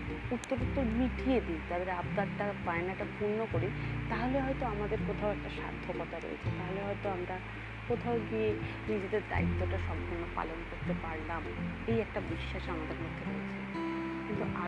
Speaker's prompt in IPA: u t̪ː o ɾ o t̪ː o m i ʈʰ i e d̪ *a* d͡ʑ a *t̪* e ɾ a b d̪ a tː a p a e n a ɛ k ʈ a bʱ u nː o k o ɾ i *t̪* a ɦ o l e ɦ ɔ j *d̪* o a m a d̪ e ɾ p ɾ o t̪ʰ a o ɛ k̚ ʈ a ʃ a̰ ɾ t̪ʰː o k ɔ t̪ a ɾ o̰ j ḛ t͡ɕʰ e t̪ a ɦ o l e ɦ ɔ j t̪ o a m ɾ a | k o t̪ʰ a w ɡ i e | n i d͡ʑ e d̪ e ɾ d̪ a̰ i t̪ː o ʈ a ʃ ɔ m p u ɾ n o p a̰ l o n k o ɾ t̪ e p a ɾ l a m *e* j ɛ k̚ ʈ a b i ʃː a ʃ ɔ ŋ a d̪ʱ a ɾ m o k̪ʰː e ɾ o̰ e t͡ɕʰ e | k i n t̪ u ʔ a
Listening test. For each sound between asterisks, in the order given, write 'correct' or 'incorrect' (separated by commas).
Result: incorrect, incorrect, correct, incorrect, correct